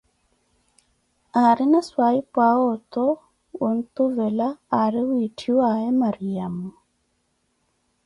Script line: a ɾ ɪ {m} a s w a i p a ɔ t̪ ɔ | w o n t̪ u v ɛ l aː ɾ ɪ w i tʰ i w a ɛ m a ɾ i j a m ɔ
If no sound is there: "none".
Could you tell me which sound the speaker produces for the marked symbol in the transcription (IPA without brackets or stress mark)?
n